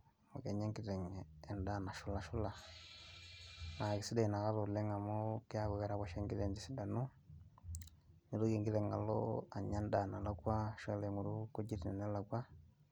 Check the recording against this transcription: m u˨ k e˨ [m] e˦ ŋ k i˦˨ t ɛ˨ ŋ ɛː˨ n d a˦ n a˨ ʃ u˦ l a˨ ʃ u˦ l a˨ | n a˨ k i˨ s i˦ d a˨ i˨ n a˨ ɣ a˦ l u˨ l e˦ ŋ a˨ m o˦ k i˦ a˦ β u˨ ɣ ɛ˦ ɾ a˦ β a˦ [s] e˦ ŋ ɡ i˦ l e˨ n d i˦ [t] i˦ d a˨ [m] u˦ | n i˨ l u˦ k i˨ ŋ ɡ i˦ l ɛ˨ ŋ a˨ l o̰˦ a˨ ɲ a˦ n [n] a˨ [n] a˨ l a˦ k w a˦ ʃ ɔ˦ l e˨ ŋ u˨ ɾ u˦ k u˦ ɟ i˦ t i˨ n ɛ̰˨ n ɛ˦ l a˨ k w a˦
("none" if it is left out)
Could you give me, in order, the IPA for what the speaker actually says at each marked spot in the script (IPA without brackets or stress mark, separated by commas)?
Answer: ɲ, ʃ, s, n, d, n